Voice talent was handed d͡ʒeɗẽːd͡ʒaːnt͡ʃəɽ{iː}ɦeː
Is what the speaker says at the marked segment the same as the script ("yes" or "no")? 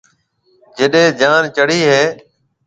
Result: yes